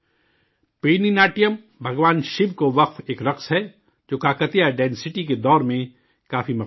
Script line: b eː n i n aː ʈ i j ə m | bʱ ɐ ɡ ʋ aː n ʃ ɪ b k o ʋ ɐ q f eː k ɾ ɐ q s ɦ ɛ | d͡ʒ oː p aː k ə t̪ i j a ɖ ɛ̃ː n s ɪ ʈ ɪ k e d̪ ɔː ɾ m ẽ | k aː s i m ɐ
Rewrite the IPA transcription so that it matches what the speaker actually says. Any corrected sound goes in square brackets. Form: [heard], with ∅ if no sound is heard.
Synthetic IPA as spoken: [p] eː n i n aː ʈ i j ə m | bʱ ɐ ɡ ʋ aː n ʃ ɪ b k o ʋ ɐ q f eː k ɾ ɐ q s ɦ ɛ | d͡ʒ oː [k] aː k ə t̪ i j a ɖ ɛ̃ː n s ɪ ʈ [i] k e d̪ ɔː ɾ m ẽ | k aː [f] i m ɐ